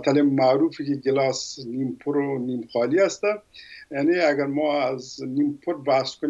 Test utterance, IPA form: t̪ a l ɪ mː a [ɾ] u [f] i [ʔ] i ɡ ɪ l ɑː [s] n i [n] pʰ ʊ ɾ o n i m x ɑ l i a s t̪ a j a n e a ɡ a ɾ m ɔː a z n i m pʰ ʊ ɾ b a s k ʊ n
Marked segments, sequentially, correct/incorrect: correct, correct, incorrect: k, correct, incorrect: m

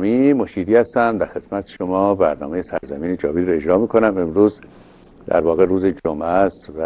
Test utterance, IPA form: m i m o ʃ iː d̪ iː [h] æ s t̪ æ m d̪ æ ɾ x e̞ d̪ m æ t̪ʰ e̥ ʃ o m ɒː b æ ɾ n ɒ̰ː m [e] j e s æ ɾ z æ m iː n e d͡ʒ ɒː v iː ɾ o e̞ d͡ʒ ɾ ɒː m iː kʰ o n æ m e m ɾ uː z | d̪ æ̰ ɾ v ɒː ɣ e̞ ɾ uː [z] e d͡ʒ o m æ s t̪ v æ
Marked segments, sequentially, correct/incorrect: correct, correct, correct

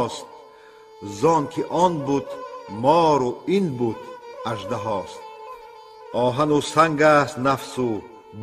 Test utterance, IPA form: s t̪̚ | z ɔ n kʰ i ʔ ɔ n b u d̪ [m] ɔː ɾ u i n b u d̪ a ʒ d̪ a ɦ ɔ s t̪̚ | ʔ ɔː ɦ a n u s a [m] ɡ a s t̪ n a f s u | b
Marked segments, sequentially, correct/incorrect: correct, incorrect: ŋ

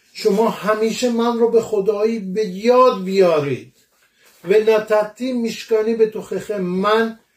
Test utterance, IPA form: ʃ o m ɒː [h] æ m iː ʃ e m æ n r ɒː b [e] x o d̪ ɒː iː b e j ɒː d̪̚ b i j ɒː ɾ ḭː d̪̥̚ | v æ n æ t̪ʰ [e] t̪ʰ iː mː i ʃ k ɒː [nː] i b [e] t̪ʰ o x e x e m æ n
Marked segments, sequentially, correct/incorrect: correct, correct, incorrect: æ, incorrect: n, correct

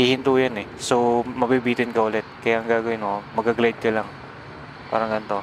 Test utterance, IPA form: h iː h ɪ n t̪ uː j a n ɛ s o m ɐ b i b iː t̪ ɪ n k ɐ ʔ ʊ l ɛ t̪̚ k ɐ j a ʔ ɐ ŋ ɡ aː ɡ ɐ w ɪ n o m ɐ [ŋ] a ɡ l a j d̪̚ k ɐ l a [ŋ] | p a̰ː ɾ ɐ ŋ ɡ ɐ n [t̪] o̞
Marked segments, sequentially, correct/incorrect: incorrect: ɡ, correct, correct

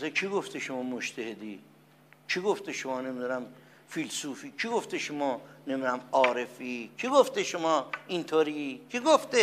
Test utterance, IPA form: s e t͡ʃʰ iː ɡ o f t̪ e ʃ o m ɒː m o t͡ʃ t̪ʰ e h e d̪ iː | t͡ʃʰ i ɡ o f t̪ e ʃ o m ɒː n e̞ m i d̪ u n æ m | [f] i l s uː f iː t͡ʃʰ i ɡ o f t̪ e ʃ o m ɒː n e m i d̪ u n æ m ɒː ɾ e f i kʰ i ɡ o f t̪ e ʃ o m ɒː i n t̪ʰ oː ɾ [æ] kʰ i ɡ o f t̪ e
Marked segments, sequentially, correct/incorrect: correct, incorrect: i

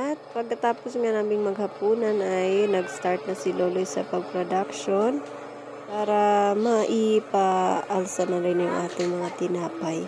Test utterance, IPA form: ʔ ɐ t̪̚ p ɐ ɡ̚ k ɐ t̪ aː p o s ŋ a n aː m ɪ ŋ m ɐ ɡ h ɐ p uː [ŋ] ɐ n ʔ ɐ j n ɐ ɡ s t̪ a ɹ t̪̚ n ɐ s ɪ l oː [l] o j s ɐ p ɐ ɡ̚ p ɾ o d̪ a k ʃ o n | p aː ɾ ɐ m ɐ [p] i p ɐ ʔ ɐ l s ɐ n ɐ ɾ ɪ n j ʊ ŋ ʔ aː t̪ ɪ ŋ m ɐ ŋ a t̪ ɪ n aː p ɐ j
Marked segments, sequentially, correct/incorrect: incorrect: n, correct, incorrect: ʔ

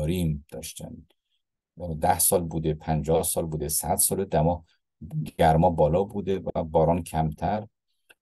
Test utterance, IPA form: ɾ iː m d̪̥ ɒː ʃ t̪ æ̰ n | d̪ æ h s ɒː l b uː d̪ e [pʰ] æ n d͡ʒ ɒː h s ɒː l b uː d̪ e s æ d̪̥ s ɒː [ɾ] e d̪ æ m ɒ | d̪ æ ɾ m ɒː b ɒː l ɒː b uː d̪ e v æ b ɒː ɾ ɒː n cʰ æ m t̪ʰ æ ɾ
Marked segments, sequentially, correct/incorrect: correct, incorrect: l

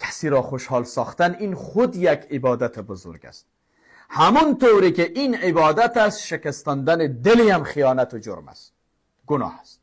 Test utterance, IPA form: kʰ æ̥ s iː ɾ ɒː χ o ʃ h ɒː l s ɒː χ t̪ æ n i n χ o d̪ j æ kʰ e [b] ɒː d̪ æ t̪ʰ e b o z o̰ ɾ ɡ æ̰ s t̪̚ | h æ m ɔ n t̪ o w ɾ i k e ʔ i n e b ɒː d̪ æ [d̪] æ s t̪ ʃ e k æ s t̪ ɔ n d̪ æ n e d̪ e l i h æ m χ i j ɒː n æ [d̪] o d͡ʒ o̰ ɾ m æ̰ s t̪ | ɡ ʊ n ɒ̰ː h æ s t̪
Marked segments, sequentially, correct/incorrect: correct, incorrect: t̪, incorrect: t̪

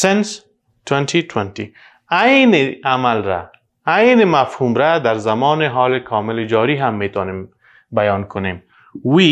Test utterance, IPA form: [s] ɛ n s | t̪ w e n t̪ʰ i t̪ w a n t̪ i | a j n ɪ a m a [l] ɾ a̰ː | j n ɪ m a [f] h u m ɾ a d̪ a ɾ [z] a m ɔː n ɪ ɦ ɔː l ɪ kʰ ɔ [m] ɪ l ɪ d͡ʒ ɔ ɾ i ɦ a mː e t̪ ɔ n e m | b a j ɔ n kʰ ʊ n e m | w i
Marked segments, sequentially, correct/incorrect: correct, correct, correct, correct, correct

